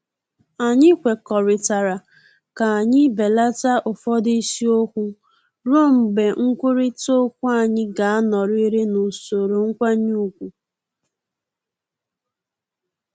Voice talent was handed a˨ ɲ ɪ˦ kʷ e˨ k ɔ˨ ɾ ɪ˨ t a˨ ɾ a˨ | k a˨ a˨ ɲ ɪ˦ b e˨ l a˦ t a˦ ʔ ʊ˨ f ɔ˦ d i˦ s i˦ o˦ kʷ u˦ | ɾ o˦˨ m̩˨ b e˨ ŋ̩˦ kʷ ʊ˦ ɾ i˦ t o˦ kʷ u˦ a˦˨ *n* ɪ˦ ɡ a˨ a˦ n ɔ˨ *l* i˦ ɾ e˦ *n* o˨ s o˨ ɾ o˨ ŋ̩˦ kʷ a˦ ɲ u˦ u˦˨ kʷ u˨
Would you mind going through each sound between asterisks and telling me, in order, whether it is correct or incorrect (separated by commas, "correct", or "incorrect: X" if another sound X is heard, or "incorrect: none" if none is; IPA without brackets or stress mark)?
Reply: incorrect: ɲ, incorrect: ɾ, correct